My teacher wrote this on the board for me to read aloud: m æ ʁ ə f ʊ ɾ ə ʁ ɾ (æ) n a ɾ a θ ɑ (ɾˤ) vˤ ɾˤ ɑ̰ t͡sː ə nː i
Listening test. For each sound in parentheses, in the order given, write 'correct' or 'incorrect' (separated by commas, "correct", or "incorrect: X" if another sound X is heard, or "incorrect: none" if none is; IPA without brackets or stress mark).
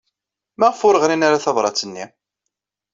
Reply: incorrect: i, incorrect: none